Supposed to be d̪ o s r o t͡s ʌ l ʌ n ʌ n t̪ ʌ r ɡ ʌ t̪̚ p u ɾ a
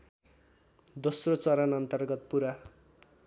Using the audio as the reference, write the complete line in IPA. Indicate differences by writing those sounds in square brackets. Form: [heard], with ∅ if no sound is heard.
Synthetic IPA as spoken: d̪ o s r o t͡s ʌ [ɾ] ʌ n ʌ n t̪ ʌ r ɡ ʌ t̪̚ p u ɾ a

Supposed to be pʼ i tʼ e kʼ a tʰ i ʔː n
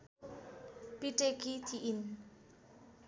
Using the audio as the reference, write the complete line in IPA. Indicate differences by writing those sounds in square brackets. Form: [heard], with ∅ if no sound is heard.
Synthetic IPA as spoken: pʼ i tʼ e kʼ [i] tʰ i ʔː n

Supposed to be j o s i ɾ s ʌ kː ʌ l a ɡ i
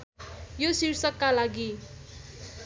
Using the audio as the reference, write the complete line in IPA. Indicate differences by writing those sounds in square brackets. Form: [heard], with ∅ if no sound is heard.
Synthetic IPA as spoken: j o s i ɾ s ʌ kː [a] l a ɡ i

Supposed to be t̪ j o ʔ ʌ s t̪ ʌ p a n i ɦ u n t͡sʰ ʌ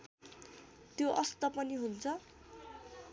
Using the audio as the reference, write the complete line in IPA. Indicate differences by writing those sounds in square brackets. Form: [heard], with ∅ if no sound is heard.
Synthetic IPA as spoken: t̪ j o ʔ ʌ s t̪ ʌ p [ʌ] n i ɦ u n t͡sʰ ʌ

